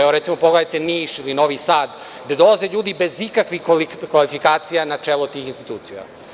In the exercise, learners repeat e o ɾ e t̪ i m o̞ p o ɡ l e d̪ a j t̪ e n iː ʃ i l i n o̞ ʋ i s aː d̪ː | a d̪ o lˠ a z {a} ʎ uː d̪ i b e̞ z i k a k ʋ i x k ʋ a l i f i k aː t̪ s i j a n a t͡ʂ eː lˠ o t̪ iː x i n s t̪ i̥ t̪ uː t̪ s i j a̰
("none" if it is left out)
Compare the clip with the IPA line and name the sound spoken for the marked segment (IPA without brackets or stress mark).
e